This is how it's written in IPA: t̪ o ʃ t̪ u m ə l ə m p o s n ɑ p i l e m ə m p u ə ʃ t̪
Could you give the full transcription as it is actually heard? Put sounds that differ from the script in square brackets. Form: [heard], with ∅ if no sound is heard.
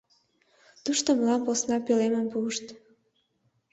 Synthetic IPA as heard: t̪ [u] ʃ t̪ [o] m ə l [ɑ] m p o s n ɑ p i l e m ə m p u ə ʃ t̪